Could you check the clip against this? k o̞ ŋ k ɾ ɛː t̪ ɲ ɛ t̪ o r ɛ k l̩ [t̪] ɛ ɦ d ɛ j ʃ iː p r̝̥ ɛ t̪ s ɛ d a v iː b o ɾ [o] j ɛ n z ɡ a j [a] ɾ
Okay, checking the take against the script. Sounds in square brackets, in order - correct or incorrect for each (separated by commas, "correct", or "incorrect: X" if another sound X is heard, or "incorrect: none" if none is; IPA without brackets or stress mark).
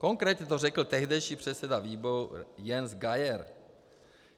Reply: correct, incorrect: u, incorrect: ɛ